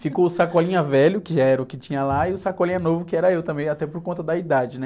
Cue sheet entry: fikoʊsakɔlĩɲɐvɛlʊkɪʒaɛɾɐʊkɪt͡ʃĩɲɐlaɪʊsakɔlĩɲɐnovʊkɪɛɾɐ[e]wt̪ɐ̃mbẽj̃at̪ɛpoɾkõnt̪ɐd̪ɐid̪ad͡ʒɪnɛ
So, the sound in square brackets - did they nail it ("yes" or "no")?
yes